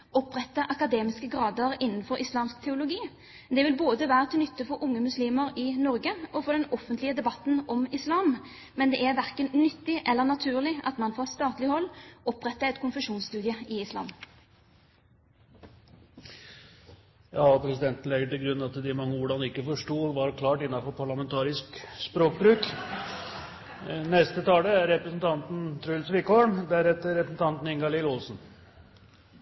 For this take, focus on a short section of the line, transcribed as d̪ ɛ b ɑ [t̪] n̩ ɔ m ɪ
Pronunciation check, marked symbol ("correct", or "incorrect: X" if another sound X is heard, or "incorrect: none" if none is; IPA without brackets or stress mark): correct